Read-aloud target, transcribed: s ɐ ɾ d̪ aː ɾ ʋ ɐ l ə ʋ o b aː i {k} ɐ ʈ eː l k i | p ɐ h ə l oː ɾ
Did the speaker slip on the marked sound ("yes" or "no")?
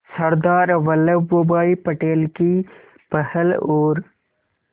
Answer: yes